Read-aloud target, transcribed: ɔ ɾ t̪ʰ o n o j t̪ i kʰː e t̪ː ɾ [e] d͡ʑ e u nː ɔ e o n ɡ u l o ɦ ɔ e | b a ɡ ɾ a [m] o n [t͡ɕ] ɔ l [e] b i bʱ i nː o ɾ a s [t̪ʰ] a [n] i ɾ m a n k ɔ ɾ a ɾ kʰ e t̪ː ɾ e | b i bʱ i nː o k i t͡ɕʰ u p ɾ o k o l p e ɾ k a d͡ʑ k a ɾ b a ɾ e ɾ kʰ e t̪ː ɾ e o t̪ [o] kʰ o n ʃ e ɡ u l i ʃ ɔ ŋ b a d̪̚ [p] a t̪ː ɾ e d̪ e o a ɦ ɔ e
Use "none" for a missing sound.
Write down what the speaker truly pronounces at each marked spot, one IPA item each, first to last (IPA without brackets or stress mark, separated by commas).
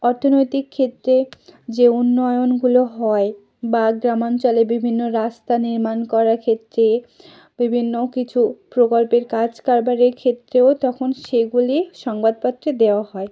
e, m, t͡ɕ, e, t̪, n, ɔ, p